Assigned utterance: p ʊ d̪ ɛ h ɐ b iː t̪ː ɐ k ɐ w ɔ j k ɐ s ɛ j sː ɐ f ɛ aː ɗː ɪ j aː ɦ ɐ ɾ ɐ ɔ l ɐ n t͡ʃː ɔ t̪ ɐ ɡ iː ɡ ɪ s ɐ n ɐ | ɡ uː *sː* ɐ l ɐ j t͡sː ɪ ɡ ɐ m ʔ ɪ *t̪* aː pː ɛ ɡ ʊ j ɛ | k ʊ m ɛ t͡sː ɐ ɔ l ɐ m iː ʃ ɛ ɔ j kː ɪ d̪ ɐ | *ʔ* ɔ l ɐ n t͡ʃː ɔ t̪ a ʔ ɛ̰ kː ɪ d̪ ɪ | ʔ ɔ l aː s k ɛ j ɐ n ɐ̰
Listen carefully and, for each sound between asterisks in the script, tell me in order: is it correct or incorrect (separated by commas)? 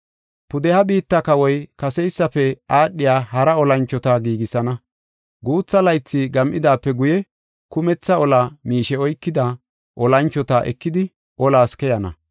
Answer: incorrect, incorrect, correct